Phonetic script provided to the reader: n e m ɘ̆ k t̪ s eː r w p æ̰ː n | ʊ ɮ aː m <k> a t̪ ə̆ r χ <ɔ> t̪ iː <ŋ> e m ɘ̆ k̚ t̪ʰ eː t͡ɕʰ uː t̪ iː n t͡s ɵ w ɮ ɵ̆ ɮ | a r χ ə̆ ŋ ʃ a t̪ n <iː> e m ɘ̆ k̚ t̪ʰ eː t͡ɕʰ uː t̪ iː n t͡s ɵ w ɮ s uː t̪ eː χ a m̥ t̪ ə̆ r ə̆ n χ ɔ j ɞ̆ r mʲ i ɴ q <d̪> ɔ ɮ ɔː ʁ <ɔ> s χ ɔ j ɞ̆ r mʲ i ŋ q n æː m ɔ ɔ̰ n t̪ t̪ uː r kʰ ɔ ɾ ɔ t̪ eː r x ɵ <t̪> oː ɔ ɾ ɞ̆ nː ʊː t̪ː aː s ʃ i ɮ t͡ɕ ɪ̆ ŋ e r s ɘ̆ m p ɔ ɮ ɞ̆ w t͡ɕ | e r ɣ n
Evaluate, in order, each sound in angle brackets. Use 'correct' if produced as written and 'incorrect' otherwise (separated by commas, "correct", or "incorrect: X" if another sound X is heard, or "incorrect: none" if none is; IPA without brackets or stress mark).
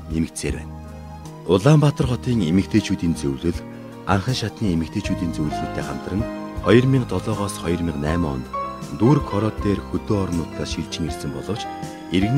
incorrect: p, correct, correct, correct, incorrect: t̪, incorrect: ɔː, correct